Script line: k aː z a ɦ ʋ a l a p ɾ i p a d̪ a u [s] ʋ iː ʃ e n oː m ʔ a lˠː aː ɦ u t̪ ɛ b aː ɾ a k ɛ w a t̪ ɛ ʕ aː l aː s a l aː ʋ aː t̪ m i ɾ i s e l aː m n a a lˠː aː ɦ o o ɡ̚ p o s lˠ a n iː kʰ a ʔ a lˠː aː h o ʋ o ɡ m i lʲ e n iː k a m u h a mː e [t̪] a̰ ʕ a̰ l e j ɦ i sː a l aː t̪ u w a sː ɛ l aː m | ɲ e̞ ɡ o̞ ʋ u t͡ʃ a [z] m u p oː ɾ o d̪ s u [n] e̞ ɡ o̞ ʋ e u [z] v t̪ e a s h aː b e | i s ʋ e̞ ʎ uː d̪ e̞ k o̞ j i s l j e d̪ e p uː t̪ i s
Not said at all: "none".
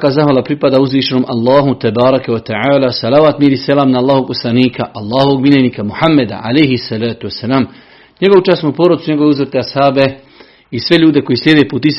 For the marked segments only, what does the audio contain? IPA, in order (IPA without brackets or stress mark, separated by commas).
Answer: z, d̪, s, ɲ, z